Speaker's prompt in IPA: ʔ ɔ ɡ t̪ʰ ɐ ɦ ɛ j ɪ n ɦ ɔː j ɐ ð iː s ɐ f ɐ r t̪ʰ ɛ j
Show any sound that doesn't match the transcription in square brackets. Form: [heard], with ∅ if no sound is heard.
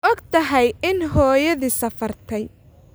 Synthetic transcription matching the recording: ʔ ɔ ɡ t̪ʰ ɐ ɦ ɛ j ɪ n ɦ ɔː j ɐ ð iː s ɐ f ɐ r t̪ʰ ɛ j